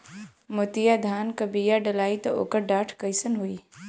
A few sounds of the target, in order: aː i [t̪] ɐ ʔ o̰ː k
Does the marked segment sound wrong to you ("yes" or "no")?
no